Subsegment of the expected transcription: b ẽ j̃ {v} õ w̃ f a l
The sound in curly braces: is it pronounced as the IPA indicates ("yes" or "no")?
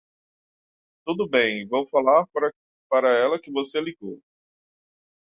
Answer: yes